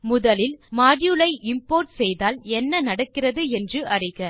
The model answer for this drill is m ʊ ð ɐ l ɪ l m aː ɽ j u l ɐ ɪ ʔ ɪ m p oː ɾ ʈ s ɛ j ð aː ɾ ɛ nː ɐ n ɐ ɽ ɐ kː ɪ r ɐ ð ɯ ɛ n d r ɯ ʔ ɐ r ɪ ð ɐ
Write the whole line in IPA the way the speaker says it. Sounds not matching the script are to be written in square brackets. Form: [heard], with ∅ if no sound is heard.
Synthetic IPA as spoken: m ʊ ð ɐ l ɪ l m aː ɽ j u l ɐ ɪ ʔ ɪ m p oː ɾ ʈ s ɛ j ð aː [l] ɛ nː ɐ n ɐ ɽ ɐ kː ɪ r ɐ ð ɯ ɛ n d r ɯ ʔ ɐ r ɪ [ɣ] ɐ